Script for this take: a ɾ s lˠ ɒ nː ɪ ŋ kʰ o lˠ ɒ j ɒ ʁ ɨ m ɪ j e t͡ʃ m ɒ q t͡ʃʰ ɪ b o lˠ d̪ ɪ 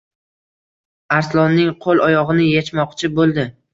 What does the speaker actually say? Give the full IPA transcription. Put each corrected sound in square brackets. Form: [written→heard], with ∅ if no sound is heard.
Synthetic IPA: a ɾ s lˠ ɒ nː ɪ ŋ [kʰ→qʰ] o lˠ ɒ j ɒ ʁ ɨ [m→n] ɪ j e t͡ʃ m ɒ q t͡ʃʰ ɪ b o lˠ d̪ ɪ